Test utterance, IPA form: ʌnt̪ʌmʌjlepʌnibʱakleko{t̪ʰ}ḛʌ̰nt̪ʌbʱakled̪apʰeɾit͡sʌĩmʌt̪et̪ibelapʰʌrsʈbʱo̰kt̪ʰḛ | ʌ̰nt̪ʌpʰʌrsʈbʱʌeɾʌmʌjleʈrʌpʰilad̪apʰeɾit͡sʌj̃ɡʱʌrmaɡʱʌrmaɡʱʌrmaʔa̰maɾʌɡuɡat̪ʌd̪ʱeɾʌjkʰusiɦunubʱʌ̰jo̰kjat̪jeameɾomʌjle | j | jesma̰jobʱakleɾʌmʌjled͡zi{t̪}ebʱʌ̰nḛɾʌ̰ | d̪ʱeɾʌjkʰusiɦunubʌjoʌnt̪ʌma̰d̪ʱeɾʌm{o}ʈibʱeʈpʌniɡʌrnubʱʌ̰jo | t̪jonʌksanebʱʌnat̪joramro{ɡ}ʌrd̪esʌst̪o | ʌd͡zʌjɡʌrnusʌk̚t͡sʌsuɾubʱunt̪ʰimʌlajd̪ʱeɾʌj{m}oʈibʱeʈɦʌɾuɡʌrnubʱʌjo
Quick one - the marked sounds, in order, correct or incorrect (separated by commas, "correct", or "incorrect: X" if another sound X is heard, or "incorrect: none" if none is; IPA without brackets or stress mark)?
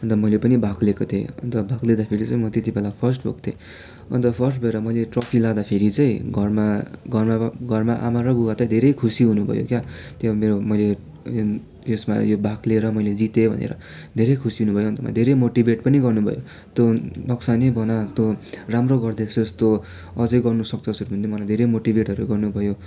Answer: correct, correct, correct, correct, correct